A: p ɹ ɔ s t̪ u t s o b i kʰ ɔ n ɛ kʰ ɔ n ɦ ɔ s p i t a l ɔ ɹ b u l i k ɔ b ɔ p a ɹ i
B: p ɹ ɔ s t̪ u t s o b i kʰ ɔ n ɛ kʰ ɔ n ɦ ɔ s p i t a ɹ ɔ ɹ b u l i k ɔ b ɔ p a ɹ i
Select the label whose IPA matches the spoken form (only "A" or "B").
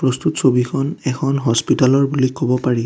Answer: A